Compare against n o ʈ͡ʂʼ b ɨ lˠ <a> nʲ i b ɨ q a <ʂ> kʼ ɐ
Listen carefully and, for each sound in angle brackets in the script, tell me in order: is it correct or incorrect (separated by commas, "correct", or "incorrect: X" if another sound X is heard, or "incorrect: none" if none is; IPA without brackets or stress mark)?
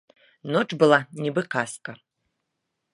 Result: correct, incorrect: s